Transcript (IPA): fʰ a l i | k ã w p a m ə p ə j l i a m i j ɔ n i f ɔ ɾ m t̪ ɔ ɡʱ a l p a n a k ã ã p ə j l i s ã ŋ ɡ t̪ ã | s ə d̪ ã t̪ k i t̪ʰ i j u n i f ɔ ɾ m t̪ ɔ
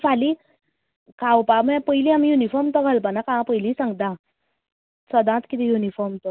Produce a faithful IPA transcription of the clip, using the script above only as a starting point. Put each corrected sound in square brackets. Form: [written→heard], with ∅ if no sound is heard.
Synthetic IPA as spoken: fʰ a l i | k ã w p a m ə p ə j l i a m i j [ɔ→u] n i f ɔ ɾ m t̪ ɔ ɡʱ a l p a n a k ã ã p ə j l i s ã ŋ ɡ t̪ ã | s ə d̪ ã t̪ k i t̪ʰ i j u n i f ɔ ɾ m t̪ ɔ